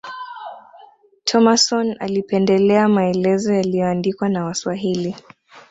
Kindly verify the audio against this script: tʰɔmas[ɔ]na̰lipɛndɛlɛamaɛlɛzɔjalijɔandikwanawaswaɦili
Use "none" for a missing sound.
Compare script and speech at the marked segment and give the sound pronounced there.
ɔ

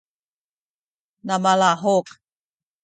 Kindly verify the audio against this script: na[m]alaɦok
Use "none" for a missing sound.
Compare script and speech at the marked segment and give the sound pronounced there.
m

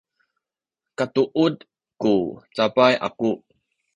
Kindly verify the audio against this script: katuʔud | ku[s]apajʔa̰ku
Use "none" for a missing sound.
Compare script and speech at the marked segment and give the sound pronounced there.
t͡s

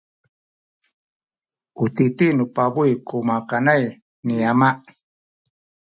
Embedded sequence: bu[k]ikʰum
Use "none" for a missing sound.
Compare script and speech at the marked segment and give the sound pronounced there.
none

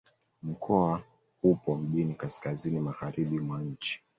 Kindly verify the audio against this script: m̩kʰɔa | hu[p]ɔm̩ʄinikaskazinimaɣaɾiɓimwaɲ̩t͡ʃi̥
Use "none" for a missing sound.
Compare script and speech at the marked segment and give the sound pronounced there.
p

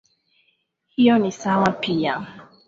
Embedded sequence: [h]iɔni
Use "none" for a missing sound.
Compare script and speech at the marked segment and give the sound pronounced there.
h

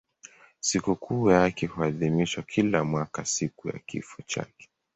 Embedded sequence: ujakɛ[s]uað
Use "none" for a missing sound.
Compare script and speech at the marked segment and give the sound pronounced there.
h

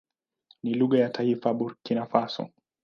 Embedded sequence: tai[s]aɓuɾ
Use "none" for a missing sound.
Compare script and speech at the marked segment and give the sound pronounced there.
f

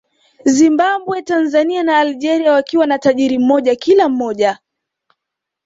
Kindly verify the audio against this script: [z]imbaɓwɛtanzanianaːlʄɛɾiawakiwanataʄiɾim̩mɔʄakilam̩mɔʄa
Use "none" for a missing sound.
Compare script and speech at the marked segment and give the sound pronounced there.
z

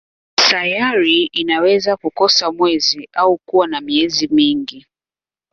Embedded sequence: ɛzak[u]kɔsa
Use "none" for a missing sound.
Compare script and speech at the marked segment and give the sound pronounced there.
u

